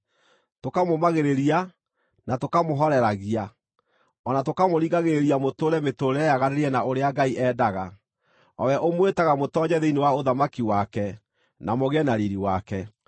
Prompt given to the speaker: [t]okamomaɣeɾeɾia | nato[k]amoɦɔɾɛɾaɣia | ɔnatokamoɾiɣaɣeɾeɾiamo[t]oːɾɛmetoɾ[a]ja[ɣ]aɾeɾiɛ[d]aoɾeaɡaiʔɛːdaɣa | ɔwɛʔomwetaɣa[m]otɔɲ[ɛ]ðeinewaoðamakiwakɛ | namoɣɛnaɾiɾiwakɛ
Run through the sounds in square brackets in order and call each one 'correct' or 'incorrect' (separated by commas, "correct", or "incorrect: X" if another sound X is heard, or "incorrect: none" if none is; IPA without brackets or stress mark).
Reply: correct, correct, correct, incorrect: ɛ, correct, incorrect: n, correct, correct